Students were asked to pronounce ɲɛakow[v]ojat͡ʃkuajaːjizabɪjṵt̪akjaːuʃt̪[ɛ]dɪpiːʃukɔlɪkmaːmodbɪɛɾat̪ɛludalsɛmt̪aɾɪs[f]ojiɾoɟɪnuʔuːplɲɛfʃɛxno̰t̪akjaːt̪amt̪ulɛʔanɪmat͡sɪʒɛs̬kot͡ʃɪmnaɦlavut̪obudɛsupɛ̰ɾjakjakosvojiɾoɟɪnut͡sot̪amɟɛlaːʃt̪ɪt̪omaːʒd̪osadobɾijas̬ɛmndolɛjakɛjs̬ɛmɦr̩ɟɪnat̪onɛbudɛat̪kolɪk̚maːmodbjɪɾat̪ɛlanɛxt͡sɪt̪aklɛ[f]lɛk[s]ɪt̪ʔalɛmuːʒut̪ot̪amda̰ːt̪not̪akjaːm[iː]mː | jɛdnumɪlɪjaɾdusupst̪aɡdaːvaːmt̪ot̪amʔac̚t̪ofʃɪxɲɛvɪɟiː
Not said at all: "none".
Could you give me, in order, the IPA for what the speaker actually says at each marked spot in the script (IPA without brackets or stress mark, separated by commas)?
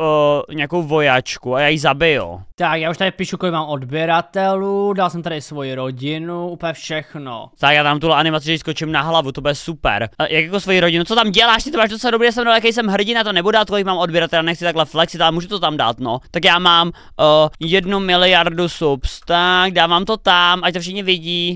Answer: v, a, v, f, s, aː